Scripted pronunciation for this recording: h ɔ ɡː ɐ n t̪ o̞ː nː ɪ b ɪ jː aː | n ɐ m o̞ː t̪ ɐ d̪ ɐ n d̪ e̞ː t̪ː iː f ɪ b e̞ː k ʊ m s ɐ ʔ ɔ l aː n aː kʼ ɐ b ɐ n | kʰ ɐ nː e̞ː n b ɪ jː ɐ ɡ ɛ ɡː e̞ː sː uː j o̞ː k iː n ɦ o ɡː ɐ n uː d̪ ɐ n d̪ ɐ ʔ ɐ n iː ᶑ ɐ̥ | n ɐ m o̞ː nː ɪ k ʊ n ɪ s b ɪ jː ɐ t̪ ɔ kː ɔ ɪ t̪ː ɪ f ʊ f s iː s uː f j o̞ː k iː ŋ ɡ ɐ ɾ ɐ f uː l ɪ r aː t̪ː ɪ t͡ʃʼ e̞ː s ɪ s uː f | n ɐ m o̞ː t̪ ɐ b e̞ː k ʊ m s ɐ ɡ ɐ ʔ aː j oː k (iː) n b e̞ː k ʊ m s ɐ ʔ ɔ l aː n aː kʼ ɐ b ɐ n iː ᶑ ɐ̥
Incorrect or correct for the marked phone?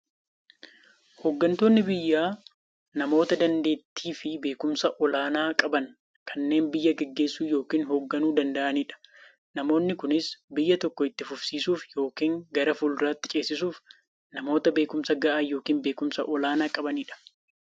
correct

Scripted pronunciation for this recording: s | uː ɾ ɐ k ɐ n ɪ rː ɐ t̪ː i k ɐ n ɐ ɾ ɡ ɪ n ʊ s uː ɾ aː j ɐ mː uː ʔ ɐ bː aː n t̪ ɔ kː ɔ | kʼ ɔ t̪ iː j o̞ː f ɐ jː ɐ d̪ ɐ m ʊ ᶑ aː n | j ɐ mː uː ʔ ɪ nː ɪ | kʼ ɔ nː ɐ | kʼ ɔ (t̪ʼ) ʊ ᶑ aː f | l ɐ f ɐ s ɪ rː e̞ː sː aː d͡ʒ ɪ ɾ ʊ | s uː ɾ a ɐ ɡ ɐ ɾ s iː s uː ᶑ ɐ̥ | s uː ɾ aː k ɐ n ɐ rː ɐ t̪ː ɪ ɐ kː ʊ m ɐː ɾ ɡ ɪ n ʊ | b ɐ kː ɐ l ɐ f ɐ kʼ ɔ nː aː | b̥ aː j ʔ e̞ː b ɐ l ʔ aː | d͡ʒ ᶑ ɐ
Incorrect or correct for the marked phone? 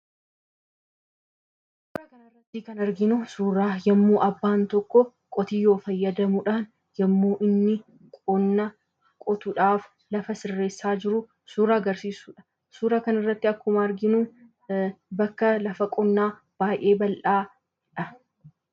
incorrect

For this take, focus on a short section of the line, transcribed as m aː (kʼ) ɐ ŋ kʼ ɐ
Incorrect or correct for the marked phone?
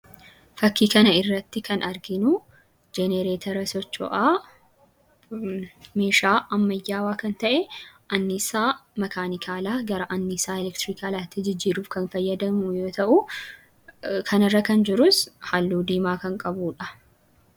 incorrect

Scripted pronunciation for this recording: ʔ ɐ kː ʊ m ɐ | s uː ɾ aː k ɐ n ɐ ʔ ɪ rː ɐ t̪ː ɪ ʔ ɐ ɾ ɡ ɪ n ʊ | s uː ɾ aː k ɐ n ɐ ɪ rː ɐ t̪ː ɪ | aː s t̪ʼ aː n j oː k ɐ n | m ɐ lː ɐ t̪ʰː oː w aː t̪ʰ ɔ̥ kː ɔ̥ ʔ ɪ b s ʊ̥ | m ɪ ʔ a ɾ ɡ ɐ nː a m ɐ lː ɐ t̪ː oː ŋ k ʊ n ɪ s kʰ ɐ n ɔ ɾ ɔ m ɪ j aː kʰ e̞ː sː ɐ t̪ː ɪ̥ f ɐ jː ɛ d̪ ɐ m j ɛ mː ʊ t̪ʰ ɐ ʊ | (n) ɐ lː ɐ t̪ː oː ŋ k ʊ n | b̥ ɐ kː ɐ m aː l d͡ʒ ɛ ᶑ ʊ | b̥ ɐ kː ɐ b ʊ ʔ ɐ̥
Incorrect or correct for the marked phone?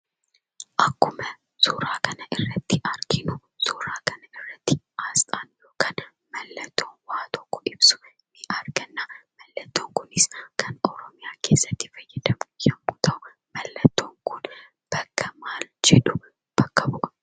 incorrect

